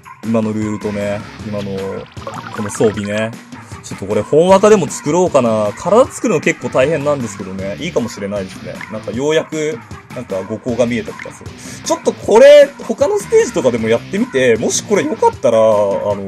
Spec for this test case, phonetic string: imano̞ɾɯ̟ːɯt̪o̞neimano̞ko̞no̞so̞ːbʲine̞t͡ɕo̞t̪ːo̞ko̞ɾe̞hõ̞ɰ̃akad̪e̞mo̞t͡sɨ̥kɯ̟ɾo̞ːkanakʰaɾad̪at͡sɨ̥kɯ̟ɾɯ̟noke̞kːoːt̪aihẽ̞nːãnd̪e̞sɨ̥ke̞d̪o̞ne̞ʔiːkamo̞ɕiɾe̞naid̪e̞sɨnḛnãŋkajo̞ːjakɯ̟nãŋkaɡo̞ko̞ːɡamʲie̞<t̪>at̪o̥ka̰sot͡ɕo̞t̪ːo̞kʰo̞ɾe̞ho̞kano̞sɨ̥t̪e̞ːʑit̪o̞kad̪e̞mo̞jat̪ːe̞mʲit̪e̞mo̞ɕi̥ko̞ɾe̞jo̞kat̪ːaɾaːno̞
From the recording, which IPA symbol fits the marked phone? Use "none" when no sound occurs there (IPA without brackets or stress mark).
t̪